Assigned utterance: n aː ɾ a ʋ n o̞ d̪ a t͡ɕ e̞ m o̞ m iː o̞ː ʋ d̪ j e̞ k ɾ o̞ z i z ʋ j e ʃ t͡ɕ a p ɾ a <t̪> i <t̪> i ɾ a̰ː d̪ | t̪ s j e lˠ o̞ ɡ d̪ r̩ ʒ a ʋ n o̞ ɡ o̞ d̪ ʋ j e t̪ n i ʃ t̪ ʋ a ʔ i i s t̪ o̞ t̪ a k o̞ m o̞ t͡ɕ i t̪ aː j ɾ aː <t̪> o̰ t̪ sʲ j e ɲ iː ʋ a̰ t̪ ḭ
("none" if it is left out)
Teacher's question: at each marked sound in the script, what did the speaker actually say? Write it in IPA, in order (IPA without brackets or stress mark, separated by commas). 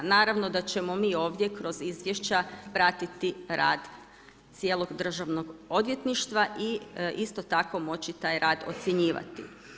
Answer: t̪, t̪, d̪